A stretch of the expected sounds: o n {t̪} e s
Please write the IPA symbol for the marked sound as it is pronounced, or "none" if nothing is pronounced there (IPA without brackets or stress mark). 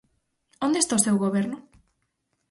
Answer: d̪